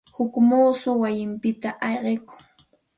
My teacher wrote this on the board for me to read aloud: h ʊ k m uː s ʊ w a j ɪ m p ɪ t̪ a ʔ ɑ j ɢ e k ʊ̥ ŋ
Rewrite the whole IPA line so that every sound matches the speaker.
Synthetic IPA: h ʊ k m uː s ʊ w a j ɪ m p ɪ t̪ a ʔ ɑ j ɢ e k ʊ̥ ŋ